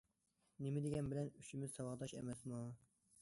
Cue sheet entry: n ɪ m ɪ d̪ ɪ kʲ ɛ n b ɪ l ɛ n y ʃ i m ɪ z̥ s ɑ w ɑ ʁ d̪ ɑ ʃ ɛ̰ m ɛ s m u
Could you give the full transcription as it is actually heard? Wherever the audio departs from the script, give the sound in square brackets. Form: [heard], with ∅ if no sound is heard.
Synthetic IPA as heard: n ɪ m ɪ d̪ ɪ [ɡʲ] ɛ n b ɪ l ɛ n y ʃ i m ɪ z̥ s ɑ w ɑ ʁ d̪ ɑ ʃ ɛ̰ m ɛ s m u